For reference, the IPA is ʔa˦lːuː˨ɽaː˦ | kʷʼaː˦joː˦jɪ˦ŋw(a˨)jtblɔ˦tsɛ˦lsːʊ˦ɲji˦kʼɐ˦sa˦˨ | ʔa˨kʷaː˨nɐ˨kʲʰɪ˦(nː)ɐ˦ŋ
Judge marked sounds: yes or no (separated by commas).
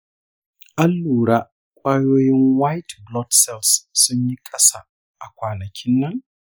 no, yes